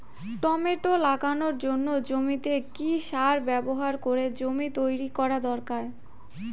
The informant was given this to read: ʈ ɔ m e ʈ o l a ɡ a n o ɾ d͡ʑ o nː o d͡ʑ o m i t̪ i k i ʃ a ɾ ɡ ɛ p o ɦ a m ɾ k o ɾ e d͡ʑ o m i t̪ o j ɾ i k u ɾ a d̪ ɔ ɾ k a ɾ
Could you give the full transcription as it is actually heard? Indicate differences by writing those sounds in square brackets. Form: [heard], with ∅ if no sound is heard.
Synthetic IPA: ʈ ɔ m e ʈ o l a ɡ a n o ɾ d͡ʑ o nː o d͡ʑ o m i t̪ [e] k i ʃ a ɾ [b] ɛ [b] o ɦ a [∅] ɾ k o ɾ e d͡ʑ o m i t̪ o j ɾ i k [ɔ] ɾ a d̪ ɔ ɾ k a ɾ